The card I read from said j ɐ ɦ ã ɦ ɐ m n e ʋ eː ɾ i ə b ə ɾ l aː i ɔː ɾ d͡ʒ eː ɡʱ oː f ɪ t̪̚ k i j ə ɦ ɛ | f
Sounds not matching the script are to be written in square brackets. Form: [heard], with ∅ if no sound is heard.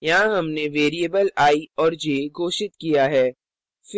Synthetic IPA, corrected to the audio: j ɐ ɦ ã ɦ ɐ m n e ʋ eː ɾ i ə b ə [∅] l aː i ɔː ɾ d͡ʒ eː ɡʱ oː [ʃ] ɪ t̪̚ k i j [a] ɦ [ɛː] | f